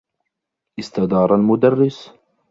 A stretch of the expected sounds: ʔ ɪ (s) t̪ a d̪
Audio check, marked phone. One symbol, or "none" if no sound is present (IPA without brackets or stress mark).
s